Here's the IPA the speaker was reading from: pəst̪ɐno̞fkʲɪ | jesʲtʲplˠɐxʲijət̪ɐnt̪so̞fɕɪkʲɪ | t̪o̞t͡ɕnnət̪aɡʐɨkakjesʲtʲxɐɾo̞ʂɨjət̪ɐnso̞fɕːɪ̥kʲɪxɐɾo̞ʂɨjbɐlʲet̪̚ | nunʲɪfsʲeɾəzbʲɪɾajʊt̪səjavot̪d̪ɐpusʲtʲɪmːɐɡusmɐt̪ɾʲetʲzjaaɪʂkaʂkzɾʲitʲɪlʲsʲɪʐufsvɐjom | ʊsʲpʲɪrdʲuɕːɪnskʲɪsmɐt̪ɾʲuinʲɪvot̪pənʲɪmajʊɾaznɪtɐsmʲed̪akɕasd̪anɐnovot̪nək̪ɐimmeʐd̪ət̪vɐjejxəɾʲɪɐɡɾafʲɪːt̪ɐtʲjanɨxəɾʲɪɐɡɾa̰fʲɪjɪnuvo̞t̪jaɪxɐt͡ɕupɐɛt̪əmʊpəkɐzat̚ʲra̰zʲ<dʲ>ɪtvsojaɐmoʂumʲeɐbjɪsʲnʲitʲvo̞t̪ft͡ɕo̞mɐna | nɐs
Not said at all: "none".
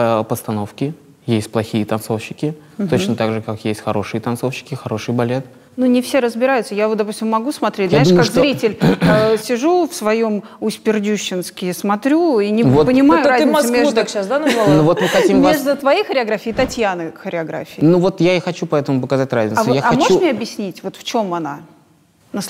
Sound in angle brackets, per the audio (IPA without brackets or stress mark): nʲ